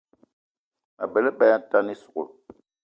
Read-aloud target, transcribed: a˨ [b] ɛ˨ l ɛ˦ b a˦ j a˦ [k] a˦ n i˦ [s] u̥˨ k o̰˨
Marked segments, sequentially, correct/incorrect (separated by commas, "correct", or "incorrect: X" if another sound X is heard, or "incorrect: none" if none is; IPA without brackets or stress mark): correct, incorrect: t, correct